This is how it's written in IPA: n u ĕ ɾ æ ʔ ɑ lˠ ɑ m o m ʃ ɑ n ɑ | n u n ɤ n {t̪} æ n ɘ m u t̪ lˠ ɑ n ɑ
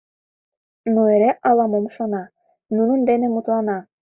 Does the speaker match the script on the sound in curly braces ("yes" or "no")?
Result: no